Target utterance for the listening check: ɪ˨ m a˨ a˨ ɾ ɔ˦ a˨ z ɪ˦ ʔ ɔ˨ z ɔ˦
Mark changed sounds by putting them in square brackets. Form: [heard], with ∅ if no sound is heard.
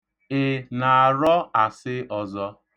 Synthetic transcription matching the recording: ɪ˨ [n] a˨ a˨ ɾ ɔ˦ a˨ [s] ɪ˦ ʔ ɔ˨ z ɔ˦